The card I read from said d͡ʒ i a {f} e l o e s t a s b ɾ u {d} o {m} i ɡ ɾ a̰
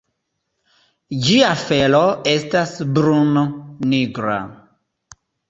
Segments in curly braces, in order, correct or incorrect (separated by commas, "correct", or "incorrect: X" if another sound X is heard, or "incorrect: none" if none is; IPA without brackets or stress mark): correct, incorrect: n, incorrect: n